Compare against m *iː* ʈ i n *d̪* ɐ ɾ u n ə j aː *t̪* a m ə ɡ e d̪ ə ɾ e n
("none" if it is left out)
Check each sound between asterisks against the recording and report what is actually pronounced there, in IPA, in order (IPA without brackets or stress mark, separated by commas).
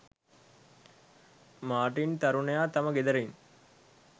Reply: aː, t̪, t̪